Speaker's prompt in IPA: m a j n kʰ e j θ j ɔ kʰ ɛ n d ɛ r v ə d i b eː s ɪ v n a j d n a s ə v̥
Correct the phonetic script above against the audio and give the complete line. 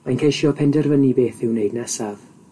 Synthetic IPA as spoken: m a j n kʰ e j ʃ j ɔ pʰ ɛ n d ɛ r v ə n i b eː θ ɪ w n e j d n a s a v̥